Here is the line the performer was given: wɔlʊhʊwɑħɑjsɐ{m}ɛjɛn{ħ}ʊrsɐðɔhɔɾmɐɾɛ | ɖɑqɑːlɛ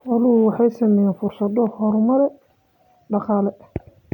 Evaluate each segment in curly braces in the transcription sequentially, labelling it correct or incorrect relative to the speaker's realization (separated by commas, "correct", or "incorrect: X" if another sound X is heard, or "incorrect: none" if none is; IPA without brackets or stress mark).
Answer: correct, incorrect: f